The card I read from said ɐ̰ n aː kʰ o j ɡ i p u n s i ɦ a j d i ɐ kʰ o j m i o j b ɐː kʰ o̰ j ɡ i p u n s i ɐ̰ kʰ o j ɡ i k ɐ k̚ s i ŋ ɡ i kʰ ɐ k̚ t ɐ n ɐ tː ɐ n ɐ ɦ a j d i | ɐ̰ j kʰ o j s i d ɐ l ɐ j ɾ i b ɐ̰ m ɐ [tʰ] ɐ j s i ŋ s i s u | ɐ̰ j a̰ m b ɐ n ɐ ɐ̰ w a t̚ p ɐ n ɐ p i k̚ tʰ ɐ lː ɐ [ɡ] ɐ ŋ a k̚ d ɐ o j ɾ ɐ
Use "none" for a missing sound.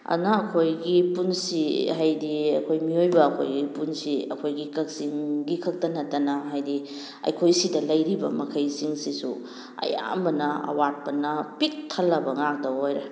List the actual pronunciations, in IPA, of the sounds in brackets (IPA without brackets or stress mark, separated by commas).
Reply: kʰ, b